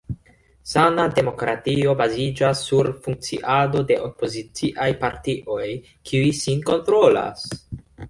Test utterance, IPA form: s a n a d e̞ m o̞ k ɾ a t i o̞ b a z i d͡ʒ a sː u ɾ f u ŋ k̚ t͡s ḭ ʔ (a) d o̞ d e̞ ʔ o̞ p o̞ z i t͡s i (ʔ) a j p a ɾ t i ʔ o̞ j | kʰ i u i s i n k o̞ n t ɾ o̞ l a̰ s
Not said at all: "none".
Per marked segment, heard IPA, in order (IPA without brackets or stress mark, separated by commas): a, ʔ